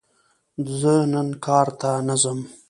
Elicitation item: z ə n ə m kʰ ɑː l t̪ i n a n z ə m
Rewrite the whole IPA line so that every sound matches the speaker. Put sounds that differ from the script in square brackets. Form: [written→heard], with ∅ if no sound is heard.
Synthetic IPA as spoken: z ə n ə [m→n] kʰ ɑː [l→ɾ] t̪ [i→a] n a [n→∅] z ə m